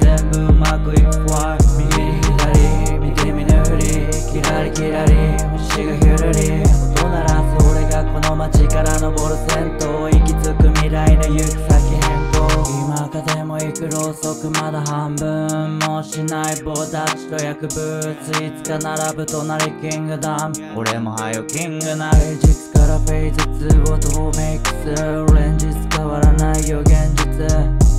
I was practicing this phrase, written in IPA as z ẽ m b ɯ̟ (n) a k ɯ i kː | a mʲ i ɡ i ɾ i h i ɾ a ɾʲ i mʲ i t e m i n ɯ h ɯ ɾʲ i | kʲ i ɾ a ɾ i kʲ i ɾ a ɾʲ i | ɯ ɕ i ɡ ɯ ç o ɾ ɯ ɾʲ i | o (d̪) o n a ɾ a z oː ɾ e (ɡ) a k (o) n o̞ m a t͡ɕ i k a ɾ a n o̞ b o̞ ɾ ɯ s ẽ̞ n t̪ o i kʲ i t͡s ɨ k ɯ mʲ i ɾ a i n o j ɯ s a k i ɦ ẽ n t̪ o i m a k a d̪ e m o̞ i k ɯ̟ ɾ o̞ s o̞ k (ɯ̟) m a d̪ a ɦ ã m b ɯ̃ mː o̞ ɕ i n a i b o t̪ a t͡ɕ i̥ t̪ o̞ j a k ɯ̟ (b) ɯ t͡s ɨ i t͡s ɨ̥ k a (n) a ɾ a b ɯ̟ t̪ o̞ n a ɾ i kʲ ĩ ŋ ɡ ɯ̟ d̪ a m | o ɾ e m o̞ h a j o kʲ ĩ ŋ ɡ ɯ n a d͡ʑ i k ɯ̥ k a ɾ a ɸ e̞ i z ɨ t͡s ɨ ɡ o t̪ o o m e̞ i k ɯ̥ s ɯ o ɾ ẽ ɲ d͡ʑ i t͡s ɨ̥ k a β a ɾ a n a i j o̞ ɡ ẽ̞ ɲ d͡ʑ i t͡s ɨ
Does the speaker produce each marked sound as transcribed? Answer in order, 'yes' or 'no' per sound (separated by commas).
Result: no, no, yes, yes, yes, yes, yes